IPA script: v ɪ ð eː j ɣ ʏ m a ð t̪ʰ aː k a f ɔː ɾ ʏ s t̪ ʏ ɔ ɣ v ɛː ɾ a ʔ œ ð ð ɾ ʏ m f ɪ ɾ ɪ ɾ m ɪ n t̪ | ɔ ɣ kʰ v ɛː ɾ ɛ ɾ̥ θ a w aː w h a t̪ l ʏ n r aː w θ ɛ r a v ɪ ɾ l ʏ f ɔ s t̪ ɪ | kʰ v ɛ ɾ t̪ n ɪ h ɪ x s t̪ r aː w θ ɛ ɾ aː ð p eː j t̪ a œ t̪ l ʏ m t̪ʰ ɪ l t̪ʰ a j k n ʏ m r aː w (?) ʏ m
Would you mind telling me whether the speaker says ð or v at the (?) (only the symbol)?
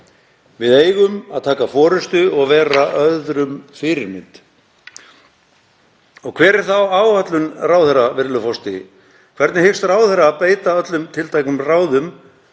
ð